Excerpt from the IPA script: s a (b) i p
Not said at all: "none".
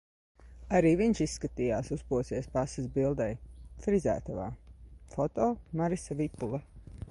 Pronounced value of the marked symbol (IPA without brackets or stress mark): v